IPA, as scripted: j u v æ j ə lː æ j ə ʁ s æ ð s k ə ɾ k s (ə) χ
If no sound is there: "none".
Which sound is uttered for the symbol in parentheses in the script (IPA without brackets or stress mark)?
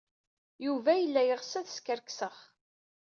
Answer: ə